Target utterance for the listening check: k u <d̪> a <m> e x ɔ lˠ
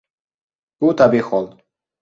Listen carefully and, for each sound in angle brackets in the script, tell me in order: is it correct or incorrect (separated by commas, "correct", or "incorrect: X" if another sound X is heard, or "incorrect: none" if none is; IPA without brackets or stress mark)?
incorrect: t̪, incorrect: b